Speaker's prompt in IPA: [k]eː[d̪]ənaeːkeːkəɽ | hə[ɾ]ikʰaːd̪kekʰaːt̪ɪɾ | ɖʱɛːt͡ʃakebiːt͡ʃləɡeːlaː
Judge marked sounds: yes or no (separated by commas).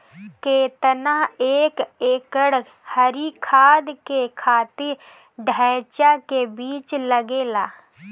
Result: yes, no, yes